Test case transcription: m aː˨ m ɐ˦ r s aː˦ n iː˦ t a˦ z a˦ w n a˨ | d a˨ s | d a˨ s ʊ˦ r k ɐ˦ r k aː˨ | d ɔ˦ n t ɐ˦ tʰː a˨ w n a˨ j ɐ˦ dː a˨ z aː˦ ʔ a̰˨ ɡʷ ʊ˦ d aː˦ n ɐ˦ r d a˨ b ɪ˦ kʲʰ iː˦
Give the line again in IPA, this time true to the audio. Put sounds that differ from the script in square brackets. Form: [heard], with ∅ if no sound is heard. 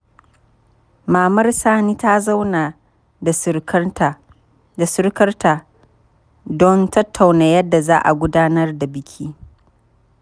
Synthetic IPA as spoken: m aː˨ m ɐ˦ r s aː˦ n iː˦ t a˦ z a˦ w n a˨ | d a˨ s | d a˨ s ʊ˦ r k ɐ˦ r [t] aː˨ | d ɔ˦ n t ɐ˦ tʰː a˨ w n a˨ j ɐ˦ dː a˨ z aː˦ ʔ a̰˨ ɡʷ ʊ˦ d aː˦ n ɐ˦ r d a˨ b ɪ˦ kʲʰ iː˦

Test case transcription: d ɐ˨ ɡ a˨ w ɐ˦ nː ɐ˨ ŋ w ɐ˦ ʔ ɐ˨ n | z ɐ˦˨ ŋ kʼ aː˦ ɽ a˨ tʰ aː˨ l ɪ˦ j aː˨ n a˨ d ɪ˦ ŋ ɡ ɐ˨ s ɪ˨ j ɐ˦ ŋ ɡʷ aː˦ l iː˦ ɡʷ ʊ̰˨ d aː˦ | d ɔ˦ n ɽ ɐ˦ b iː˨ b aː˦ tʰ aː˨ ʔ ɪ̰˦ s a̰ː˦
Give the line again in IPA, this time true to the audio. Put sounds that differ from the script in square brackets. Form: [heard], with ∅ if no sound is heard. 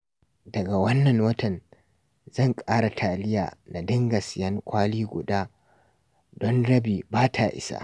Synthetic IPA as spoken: d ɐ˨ ɡ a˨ w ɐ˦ nː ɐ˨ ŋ w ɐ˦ [t] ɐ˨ n | z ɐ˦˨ ŋ kʼ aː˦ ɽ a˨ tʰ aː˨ l ɪ˦ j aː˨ n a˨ d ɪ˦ ŋ ɡ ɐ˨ s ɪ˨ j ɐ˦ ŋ [kʷ] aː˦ l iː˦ ɡʷ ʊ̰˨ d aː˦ | d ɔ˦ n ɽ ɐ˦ b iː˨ b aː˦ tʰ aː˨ ʔ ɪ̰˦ s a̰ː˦

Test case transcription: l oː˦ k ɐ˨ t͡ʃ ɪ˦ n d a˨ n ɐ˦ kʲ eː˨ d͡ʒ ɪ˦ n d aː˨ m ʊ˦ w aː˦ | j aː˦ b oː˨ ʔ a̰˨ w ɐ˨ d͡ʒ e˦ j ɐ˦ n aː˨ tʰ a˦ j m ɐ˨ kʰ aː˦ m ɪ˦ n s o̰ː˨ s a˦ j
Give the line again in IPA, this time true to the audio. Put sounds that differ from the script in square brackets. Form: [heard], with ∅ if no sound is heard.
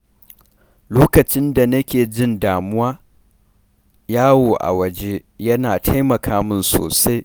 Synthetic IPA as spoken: l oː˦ k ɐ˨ t͡ʃ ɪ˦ n d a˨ n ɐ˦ kʲ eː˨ d͡ʒ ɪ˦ n d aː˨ m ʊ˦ w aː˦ | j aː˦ [w] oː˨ ʔ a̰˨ w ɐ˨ d͡ʒ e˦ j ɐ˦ n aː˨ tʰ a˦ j m ɐ˨ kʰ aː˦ m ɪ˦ n s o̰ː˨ s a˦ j

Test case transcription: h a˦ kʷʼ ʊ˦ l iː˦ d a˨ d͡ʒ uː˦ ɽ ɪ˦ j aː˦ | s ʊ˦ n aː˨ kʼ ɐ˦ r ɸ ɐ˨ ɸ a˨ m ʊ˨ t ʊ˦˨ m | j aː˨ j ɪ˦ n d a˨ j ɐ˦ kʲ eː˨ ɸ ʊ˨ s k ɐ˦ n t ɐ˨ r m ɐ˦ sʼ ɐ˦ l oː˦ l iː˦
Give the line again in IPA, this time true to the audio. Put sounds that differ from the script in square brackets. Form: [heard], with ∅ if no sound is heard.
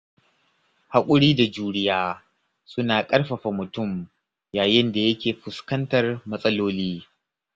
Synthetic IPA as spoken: h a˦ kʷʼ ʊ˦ [ɽ] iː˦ d a˨ d͡ʒ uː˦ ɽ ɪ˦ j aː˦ | s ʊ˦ n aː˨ kʼ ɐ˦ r ɸ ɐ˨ ɸ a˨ m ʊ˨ t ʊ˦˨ m | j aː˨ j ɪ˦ n d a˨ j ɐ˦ kʲ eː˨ ɸ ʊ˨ s k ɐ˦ n t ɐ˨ r m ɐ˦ sʼ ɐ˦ l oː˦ l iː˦

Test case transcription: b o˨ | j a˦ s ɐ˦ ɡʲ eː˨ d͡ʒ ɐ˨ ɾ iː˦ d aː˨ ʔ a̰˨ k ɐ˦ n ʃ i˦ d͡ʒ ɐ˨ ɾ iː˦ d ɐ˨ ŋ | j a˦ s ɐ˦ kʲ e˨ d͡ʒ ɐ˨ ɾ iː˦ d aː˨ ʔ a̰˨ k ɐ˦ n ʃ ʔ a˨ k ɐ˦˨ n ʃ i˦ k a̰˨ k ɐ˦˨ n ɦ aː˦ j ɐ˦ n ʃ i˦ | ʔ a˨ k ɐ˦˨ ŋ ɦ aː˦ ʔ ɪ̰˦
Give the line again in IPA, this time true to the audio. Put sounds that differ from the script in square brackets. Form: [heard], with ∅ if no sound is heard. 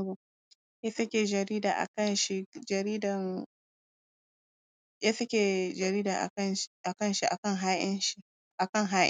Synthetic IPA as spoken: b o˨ | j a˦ s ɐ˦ [kʲ] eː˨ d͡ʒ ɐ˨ ɾ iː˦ d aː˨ ʔ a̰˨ k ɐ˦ n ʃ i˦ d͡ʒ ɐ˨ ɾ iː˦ d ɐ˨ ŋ | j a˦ s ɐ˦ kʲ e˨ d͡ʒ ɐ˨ ɾ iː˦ d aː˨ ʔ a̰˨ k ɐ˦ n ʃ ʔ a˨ k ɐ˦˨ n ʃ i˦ [ʔ] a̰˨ k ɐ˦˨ [ŋ] ɦ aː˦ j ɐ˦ n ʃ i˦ | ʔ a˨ k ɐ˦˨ ŋ ɦ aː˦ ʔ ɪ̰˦

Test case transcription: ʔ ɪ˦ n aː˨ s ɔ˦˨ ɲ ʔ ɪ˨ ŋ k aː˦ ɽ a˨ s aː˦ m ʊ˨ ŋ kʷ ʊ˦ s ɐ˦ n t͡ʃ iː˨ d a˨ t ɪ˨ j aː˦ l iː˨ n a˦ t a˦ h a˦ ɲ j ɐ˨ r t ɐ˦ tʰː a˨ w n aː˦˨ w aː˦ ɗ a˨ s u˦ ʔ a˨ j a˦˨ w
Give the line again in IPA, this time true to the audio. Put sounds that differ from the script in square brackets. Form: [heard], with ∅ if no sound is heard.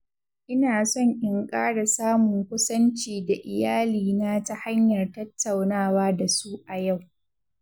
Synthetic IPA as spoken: ʔ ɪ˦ n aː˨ s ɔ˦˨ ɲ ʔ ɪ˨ ŋ [kʼ] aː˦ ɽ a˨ s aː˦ m ʊ˨ ŋ kʷ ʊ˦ s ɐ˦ n t͡ʃ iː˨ d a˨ [ʔ] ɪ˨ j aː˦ l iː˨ n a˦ t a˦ h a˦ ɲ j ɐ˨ r t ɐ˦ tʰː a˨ w n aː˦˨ w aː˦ [d] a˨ s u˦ ʔ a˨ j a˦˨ w

